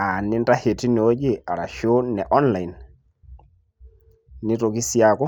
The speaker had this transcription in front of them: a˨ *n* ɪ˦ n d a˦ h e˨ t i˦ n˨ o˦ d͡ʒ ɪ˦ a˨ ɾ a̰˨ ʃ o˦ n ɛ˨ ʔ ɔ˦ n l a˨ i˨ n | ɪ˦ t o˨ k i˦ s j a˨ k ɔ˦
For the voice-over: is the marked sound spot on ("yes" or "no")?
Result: yes